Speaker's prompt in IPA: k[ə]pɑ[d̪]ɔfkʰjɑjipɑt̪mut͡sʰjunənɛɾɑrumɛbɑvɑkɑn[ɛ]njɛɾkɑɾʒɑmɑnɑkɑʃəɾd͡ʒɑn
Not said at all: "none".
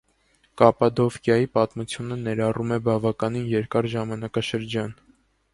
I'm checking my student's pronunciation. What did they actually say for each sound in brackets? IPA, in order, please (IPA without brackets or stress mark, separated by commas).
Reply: ɑ, d̪, i